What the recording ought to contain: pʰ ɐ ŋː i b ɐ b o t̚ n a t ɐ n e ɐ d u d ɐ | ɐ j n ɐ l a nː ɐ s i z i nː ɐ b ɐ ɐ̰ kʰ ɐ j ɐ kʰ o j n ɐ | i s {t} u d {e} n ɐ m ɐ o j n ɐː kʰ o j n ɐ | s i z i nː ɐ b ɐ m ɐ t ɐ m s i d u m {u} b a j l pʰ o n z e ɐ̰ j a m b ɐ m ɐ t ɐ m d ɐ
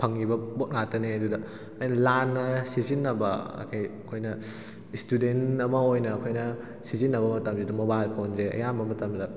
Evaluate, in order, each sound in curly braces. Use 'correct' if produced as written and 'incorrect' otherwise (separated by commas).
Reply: correct, correct, incorrect